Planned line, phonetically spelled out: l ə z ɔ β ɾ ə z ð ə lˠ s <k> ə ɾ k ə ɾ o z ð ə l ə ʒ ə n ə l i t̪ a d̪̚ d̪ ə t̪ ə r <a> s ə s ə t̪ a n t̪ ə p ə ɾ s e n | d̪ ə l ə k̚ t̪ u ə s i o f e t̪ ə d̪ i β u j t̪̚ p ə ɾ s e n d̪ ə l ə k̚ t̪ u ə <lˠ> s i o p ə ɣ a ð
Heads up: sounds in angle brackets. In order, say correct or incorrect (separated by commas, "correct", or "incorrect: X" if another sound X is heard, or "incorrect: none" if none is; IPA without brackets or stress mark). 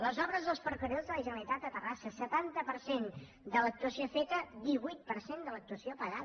incorrect: p, correct, incorrect: none